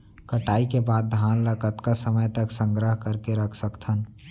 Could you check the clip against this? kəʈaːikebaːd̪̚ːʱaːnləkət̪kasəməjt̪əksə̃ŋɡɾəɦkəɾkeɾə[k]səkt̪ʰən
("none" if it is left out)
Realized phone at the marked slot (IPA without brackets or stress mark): kʰ